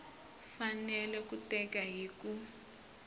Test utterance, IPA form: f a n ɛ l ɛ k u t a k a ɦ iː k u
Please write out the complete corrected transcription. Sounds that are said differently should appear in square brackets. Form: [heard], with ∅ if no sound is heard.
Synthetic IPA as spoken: f a n ɛ l ɛ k u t [ɛ] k a ɦ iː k u